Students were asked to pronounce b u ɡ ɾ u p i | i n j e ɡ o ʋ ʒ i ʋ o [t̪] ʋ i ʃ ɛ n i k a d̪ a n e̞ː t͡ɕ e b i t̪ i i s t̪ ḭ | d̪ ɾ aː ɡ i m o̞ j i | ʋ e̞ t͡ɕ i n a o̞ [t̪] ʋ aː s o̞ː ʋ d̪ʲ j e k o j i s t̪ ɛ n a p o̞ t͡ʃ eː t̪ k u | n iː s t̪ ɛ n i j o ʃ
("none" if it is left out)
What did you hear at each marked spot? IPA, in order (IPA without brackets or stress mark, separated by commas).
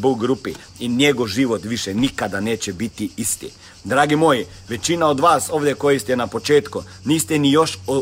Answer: t̪, d̪